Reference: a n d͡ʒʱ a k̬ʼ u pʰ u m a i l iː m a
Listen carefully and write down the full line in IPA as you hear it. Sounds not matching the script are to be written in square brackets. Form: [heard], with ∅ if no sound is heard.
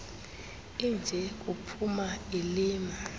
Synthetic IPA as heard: [i] n d͡ʒʱ [ɛ] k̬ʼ u pʰ u m a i l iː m a